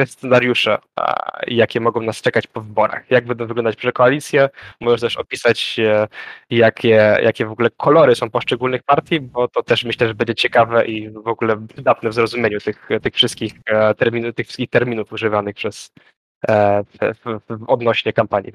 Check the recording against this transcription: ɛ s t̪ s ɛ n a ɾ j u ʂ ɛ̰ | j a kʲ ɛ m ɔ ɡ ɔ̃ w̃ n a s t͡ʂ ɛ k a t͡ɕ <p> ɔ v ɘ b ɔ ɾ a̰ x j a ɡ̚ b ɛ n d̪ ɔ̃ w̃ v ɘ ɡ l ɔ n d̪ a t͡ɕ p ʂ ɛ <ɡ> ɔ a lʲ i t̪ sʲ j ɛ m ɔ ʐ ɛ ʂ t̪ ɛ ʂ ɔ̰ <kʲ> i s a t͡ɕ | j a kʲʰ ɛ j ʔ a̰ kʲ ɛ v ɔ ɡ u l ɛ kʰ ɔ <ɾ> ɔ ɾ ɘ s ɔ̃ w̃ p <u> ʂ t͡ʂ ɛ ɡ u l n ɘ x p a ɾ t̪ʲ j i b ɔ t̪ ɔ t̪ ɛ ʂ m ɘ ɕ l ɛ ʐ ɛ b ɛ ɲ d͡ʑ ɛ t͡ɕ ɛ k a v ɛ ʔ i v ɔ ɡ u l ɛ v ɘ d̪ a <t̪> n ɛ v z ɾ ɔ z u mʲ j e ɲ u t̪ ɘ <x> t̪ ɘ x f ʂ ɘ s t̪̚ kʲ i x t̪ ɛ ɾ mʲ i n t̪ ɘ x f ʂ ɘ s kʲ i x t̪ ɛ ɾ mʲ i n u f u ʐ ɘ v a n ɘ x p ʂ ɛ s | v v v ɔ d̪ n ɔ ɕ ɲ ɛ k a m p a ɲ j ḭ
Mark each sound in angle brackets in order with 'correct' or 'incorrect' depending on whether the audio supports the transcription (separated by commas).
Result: correct, incorrect, incorrect, incorrect, incorrect, correct, correct